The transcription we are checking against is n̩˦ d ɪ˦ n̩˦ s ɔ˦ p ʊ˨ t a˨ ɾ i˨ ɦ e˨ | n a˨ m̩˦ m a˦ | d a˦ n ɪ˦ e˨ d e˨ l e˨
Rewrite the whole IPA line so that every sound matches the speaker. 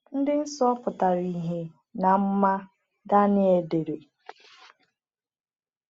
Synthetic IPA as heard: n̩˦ d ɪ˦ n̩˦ s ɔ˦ p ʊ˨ t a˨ ɾ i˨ ɦ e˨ | n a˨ m̩˦ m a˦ | d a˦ n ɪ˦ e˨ d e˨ ɾ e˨